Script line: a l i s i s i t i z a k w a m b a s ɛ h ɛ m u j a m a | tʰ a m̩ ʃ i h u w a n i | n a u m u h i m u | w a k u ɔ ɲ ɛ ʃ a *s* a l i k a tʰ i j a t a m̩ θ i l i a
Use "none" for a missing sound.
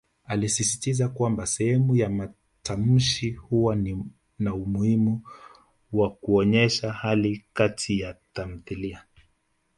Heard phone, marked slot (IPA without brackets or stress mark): h